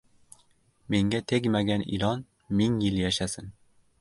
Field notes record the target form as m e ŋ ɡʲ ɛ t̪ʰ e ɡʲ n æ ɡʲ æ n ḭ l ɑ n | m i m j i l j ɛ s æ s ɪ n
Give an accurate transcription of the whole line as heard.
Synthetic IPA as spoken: m e ŋ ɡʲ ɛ t̪ʰ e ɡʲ m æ ɡʲ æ n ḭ l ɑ n | m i ŋ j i l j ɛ ʃ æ s ɪ n